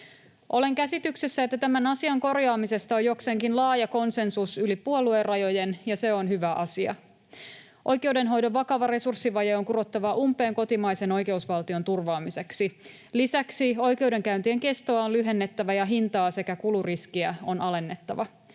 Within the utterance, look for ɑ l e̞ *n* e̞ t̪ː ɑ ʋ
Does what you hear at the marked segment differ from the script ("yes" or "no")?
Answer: yes